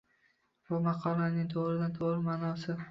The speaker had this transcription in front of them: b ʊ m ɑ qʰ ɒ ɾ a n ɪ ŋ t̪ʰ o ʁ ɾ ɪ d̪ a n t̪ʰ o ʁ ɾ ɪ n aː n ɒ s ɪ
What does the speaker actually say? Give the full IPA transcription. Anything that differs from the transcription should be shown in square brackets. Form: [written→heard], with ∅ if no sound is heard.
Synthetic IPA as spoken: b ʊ m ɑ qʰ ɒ [ɾ→l] a n ɪ ŋ t̪ʰ o ʁ ɾ ɪ d̪ a n t̪ʰ o ʁ ɾ ɪ [n→m] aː n ɒ s ɪ